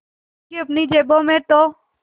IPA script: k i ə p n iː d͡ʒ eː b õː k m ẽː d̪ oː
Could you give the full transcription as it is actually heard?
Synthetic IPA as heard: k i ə p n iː d͡ʒ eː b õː m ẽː t̪ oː